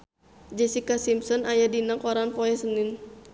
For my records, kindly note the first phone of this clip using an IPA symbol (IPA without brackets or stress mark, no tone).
d͡ʒ